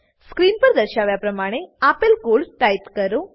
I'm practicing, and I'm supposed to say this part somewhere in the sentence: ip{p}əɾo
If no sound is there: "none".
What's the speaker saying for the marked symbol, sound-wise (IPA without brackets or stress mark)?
k